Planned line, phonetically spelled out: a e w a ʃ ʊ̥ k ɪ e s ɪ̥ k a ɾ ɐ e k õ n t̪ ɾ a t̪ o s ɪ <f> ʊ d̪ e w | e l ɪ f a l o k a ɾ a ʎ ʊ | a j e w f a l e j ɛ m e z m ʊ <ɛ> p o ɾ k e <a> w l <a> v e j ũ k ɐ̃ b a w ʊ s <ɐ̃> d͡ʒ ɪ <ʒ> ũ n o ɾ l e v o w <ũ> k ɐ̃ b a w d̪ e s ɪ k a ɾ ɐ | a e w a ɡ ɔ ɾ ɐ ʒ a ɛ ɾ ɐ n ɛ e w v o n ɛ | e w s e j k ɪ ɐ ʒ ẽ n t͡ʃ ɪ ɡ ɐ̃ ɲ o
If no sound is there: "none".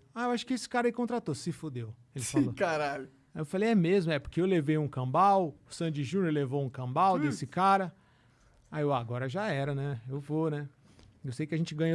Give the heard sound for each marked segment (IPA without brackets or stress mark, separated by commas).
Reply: f, ɛ, e, e, ɐ̃, ʒ, ũ